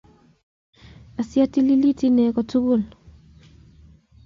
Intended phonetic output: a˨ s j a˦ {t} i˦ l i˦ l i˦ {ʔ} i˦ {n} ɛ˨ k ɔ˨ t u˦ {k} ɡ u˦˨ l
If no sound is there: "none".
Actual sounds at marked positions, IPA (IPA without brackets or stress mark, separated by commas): t, t, n, none